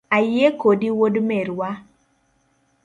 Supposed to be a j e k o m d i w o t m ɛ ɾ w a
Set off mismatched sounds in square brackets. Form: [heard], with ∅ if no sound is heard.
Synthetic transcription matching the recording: a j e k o [∅] d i w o [d] m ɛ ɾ w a